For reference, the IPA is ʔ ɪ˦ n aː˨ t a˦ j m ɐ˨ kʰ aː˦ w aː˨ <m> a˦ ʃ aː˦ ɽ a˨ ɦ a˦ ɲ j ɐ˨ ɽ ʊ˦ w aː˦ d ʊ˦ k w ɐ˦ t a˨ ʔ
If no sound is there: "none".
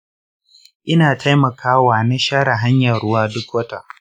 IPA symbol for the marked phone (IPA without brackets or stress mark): n